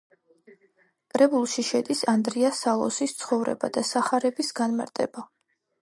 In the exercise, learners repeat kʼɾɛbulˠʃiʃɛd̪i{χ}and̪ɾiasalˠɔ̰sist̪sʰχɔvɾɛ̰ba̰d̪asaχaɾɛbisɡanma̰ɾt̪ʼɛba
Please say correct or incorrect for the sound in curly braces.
incorrect: s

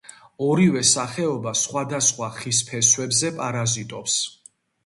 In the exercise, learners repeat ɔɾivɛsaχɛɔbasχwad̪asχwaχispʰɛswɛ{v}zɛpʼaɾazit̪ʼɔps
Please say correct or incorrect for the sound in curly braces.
incorrect: b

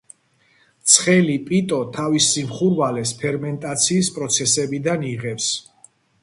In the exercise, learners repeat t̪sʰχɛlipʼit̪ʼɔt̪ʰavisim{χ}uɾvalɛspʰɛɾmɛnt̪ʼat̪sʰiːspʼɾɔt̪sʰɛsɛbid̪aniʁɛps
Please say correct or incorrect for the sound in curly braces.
correct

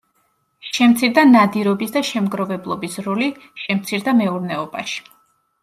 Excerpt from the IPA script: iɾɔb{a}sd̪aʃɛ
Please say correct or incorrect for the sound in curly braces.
incorrect: i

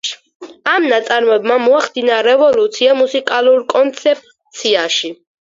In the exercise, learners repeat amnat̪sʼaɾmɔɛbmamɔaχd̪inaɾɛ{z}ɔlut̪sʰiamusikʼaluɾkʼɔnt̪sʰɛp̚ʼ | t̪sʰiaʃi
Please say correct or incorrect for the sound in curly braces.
incorrect: v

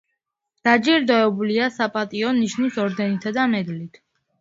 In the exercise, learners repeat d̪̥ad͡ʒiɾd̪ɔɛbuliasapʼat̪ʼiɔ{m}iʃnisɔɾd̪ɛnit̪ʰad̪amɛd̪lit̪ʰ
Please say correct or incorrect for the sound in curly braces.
incorrect: n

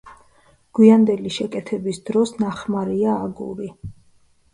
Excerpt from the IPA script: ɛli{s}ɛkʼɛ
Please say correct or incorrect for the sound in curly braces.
incorrect: ʃ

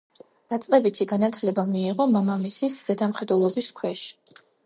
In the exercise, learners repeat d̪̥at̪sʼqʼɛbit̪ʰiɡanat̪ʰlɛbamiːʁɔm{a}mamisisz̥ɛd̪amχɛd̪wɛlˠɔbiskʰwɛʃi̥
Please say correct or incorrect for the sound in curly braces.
correct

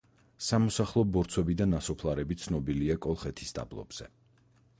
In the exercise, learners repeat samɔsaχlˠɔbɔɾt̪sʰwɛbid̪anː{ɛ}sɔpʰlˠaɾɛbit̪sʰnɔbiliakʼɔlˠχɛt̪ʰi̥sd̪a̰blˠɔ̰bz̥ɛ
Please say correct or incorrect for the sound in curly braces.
incorrect: a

